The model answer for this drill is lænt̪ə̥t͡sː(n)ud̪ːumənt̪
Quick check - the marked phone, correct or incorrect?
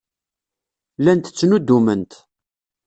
correct